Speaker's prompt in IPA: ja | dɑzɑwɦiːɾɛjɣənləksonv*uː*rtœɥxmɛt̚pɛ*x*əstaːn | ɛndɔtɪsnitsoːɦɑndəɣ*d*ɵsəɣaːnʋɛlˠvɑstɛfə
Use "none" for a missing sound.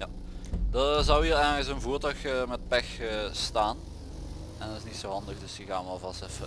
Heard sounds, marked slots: uː, x, d

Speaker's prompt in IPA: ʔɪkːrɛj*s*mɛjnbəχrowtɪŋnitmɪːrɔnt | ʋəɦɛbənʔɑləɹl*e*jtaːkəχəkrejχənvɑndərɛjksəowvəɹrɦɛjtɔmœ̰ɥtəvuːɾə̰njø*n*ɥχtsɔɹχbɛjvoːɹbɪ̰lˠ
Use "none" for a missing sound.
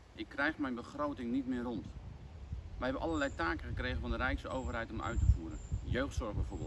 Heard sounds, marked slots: χ, ɛ, none

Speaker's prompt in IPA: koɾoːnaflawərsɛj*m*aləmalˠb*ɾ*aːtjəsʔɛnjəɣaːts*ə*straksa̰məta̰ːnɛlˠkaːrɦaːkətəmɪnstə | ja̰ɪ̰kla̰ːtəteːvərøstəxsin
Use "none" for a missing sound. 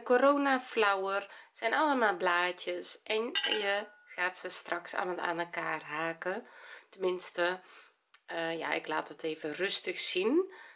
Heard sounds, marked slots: n, l, ə

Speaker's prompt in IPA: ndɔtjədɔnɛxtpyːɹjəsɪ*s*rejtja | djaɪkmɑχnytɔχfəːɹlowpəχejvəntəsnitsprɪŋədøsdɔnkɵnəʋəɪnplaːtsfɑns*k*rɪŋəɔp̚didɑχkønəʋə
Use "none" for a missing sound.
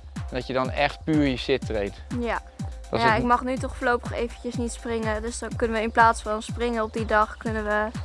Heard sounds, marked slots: t, p

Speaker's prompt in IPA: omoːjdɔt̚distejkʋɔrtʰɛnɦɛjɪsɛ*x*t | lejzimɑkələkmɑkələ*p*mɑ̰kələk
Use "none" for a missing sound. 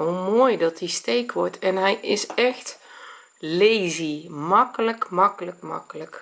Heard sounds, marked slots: x, k

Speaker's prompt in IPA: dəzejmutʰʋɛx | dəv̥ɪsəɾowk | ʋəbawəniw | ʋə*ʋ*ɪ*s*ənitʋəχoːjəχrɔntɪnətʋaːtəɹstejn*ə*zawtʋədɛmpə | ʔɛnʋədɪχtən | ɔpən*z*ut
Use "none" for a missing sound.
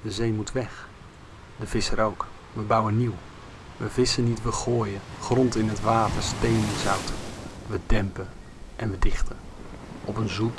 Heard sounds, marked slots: v, s, ə, z

